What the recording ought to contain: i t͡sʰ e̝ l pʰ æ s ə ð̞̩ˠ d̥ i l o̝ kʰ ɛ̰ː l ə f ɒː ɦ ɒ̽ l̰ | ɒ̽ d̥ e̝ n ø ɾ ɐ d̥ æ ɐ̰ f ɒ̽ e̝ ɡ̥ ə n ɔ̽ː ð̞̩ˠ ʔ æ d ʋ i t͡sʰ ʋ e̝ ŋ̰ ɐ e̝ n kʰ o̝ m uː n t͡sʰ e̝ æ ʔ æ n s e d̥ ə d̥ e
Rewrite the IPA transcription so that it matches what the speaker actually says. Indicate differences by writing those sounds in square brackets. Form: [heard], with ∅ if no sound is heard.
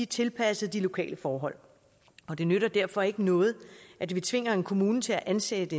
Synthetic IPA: i t͡sʰ e̝ l pʰ æ s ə ð̞̩ˠ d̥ i l o̝ kʰ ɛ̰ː l ə f ɒː ɦ ɒ̽ l̰ | ɒ̽ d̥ e̝ n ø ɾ ɐ d̥ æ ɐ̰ f ɒ̽ e̝ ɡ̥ ə n ɔ̽ː ð̞̩ˠ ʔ æ d ʋ i t͡sʰ ʋ e̝ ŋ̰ ɐ e̝ n kʰ o̝ m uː n t͡sʰ e̝ æ ʔ æ n s e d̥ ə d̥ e